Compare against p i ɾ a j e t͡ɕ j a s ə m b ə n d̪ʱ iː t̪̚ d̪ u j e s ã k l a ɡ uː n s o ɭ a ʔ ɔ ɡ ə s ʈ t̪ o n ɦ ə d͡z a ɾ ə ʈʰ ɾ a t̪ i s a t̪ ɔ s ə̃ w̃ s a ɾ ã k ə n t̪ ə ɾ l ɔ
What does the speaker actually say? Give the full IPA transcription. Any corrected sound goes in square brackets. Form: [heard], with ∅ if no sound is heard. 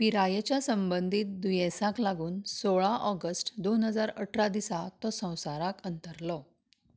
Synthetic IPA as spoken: p i ɾ a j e t͡ɕ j a s ə m b ə n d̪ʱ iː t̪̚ d̪ u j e s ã k l a ɡ uː n s o ɭ a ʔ ɔ ɡ ə s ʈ [d̪] o n ɦ ə d͡z a ɾ ə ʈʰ ɾ a [d̪] i s a t̪ ɔ s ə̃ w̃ s a ɾ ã k ə n t̪ ə ɾ l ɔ